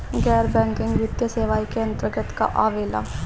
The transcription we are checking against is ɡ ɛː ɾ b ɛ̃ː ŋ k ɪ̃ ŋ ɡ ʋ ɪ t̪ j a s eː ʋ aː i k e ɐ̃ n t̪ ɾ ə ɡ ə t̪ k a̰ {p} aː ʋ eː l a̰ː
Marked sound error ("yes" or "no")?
yes